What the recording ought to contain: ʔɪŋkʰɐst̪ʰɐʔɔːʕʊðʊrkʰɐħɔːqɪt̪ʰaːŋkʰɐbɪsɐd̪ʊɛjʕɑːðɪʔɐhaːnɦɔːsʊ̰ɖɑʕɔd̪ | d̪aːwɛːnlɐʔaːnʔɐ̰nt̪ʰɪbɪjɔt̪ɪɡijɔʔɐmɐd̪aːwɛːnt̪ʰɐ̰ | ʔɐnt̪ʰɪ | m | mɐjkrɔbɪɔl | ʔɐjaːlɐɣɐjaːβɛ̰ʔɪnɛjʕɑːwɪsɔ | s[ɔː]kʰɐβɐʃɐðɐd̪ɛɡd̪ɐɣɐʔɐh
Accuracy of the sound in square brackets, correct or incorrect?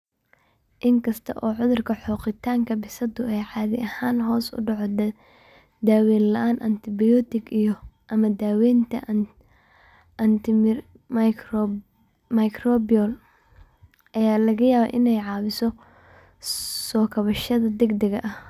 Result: correct